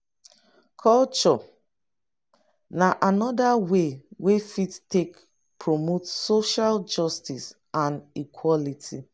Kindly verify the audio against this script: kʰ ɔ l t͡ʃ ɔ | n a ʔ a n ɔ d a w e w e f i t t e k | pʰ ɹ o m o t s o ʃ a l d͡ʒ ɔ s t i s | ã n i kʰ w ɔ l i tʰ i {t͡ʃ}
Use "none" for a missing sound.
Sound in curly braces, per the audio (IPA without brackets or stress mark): none